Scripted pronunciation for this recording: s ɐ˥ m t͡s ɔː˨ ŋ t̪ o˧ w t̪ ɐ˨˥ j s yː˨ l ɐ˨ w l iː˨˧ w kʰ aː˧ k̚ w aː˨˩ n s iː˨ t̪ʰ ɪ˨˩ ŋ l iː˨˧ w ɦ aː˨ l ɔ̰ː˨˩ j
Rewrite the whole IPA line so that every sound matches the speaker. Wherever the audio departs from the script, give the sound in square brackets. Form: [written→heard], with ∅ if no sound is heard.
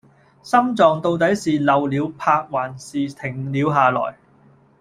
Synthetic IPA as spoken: s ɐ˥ m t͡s ɔː˨ ŋ t̪ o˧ w t̪ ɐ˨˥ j s [yː˨→iː˨] l ɐ˨ w l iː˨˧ w [kʰ→pʰ] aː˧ k̚ w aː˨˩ n s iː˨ t̪ʰ ɪ˨˩ ŋ l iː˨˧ w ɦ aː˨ l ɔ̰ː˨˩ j